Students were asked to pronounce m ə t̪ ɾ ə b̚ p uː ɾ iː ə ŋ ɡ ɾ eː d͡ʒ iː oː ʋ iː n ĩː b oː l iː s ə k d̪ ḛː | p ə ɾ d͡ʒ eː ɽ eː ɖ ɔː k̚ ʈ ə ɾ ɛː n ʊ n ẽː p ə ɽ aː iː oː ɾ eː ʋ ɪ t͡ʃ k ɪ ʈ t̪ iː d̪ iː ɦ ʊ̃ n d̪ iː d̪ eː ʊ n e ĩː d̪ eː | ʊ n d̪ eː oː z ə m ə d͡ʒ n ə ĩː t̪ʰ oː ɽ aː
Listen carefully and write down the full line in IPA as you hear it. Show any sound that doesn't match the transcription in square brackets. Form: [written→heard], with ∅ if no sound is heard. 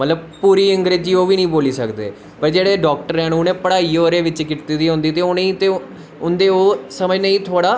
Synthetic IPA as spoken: m ə t̪ [ɾ→l] ə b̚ p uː ɾ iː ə ŋ ɡ ɾ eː d͡ʒ iː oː ʋ iː n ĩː b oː l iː s ə k d̪ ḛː | p ə ɾ d͡ʒ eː ɽ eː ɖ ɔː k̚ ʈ ə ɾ ɛː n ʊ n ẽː p ə ɽ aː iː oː ɾ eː ʋ ɪ t͡ʃ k ɪ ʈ t̪ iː d̪ iː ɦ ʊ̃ n d̪ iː [d̪→t̪] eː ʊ n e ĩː [d̪→t̪] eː | ʊ n d̪ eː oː [z→s] ə m ə d͡ʒ n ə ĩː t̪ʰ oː ɽ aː

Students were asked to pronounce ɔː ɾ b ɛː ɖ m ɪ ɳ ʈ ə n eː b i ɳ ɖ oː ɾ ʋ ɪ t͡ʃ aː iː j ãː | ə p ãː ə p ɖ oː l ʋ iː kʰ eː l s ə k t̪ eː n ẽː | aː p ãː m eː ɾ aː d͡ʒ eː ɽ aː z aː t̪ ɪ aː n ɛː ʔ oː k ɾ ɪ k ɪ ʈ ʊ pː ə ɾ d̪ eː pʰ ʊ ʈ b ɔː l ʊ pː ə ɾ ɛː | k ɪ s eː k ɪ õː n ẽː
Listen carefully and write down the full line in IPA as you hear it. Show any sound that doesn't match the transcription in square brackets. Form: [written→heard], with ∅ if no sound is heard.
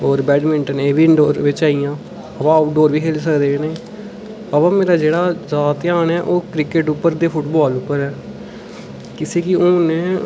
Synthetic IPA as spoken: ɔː ɾ b ɛː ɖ m ɪ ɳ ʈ ə n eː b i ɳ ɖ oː ɾ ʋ ɪ t͡ʃ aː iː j ãː | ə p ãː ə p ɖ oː [l→ɾ] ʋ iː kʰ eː l s ə k [t̪→d̪] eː n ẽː | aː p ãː m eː ɾ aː d͡ʒ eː ɽ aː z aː t̪ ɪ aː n ɛː ʔ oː k ɾ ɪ k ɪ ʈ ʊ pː ə ɾ d̪ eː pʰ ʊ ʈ b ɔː l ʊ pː ə ɾ ɛː | k ɪ s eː k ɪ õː n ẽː

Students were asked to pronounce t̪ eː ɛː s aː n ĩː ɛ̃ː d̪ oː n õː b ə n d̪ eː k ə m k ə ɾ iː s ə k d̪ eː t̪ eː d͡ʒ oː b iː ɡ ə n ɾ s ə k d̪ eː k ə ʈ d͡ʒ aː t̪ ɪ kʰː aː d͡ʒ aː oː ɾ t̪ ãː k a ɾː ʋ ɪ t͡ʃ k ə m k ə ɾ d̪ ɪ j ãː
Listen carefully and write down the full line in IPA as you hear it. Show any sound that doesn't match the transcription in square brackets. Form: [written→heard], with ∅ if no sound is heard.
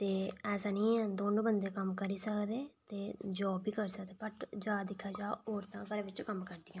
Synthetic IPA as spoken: t̪ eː ɛː s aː n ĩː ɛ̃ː d̪ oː n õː b ə n d̪ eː k ə m k ə ɾ iː s ə k d̪ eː t̪ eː d͡ʒ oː b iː [ɡ→k] ə [n→∅] ɾ s ə k d̪ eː [k→p] ə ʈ d͡ʒ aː [t̪→d̪] ɪ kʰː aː d͡ʒ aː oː ɾ t̪ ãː k [a→ə] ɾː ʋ ɪ t͡ʃ k ə m k ə ɾ d̪ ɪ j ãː

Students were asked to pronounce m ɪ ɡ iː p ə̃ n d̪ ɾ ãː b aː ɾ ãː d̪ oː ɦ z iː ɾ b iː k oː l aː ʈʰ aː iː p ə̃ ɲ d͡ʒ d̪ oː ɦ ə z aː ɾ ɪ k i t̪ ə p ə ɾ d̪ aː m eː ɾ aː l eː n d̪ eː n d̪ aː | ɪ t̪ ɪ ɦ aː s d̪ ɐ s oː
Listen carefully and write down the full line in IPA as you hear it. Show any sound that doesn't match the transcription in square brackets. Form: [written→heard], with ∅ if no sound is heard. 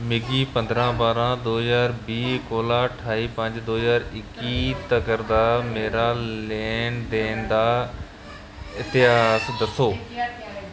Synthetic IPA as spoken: m ɪ ɡ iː p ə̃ n d̪ ɾ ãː b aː ɾ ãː d̪ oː ɦ z [iː→aː] ɾ b iː k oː l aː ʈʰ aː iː p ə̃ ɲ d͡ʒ d̪ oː ɦ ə z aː ɾ ɪ k i t̪ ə [p→k] ə ɾ d̪ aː m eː ɾ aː l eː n d̪ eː n d̪ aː | ɪ t̪ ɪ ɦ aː s d̪ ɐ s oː

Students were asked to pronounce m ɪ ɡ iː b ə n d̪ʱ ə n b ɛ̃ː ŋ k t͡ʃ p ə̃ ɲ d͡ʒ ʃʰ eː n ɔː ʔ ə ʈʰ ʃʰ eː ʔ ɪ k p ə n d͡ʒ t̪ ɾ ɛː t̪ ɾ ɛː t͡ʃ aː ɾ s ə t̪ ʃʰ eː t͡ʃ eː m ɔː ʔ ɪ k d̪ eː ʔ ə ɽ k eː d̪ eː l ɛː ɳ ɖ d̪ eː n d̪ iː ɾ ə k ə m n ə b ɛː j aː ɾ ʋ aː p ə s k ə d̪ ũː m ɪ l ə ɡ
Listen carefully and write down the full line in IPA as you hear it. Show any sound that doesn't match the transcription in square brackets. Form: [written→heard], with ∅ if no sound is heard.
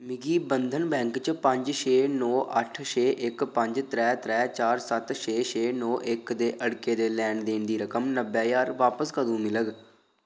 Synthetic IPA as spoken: m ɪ ɡ iː b ə n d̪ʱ ə n b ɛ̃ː ŋ k t͡ʃ p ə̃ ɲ d͡ʒ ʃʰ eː n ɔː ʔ ə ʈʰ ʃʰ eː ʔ ɪ k p ə [n→ɲ] d͡ʒ t̪ ɾ ɛː t̪ ɾ ɛː t͡ʃ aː ɾ s ə t̪ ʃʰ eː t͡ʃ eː [m→n] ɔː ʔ ɪ k d̪ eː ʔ ə ɽ k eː d̪ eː l ɛː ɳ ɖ d̪ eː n d̪ iː ɾ ə k ə m n ə b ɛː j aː ɾ ʋ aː p ə s k ə d̪ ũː m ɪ l ə ɡ

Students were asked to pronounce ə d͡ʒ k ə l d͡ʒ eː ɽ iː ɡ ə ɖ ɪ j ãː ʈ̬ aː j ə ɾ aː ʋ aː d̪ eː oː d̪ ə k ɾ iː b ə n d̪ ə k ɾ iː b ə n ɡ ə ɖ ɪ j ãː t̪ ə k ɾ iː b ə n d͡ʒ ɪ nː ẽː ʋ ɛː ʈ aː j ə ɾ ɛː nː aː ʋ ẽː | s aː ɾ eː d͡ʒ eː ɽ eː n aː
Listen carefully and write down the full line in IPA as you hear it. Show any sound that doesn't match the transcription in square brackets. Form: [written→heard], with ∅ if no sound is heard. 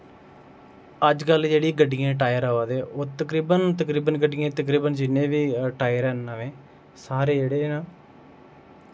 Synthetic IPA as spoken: ə d͡ʒ k ə l d͡ʒ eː ɽ iː ɡ ə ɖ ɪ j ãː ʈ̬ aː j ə ɾ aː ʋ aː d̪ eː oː [d̪→t̪] ə k ɾ iː b ə n [d̪→t̪] ə k ɾ iː b ə n ɡ ə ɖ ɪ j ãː t̪ ə k ɾ iː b ə n d͡ʒ ɪ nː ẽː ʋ [ɛː→iː] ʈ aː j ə ɾ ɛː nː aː ʋ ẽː | s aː ɾ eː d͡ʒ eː ɽ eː n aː

